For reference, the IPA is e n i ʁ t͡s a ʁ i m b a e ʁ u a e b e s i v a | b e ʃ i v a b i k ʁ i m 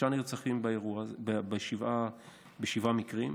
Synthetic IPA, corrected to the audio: a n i ʁ t͡s a χ i m b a e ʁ u a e b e ʃ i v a | b e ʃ i v a m i k ʁ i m